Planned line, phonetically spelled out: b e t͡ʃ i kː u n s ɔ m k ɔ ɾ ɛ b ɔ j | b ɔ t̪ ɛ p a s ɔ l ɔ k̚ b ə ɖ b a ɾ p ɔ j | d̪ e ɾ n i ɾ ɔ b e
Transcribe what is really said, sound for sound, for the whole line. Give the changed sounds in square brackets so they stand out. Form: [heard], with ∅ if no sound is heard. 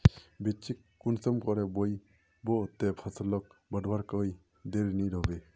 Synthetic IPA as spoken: b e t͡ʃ i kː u n s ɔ m k ɔ ɾ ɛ b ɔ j | b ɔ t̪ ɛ [pʰ] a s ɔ l ɔ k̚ b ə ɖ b a ɾ [k] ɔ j | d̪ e ɾ n i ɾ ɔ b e